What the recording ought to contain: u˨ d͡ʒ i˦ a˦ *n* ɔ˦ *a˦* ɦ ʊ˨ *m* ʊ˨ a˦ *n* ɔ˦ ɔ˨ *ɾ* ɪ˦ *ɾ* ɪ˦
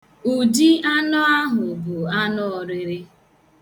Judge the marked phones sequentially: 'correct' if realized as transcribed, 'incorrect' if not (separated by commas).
correct, correct, incorrect, correct, correct, correct